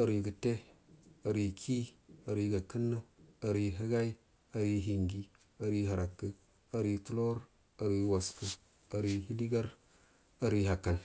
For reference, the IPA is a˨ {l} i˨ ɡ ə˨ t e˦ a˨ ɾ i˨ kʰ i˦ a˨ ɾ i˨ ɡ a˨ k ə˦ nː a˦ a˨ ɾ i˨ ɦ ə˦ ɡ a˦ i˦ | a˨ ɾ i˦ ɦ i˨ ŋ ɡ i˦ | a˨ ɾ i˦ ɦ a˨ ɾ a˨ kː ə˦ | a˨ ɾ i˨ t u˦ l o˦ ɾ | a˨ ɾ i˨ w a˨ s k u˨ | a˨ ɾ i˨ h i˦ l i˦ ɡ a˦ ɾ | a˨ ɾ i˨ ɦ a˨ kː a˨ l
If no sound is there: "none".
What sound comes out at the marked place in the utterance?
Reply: ɾ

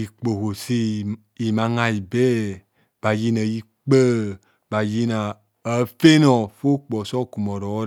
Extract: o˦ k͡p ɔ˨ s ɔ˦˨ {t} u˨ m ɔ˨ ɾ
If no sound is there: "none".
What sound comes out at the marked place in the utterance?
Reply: k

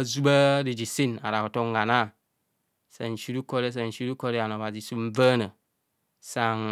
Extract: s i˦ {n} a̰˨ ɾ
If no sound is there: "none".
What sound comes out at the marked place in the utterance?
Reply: n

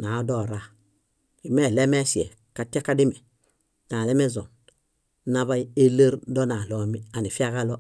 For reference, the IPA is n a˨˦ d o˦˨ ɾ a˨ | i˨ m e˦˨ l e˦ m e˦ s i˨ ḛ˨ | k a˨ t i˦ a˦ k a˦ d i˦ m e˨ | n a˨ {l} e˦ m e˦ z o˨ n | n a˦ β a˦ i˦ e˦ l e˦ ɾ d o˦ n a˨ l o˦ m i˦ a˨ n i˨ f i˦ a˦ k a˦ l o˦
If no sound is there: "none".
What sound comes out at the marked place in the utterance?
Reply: l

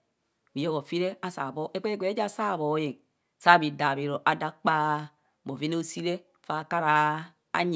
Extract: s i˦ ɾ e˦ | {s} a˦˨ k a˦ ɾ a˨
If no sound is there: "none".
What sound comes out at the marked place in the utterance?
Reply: f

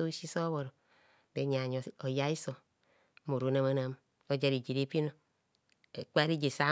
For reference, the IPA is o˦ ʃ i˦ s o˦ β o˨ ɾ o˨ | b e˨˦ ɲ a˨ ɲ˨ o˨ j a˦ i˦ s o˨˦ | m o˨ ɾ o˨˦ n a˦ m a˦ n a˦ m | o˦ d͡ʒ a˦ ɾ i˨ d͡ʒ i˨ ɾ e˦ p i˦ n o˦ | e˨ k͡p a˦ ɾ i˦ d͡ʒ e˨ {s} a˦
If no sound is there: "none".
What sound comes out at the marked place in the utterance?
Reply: s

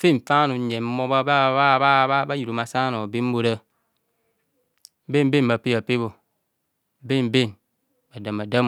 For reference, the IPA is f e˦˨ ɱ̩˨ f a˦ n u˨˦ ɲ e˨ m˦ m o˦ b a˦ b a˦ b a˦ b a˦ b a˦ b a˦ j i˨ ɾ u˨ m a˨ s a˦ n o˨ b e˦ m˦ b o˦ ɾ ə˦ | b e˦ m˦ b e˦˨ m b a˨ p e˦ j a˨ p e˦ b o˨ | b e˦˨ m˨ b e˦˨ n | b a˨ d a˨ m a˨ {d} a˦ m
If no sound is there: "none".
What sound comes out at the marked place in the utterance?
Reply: d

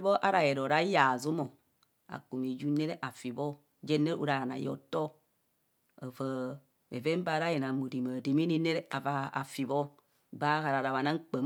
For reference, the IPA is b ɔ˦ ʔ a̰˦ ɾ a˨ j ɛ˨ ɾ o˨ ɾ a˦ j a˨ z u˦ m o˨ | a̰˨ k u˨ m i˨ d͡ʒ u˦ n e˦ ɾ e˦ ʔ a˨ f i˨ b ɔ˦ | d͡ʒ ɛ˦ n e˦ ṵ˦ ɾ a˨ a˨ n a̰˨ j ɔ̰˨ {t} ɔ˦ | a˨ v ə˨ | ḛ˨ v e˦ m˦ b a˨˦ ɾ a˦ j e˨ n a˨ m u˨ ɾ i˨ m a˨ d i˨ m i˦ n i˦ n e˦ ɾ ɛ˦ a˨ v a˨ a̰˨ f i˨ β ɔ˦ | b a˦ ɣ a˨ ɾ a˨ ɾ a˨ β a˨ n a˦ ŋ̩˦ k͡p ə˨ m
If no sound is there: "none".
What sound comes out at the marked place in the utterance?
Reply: t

